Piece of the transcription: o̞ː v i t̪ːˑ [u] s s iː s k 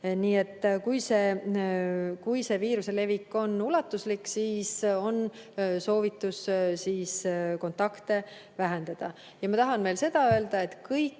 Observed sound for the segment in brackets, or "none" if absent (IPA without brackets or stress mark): u